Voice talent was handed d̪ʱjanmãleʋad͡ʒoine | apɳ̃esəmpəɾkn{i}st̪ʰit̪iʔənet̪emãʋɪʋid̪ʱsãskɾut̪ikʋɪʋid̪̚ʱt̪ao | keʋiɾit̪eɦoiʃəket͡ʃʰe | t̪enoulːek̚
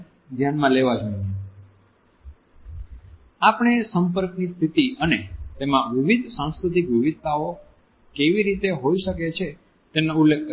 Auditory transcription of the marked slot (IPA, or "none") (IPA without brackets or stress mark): i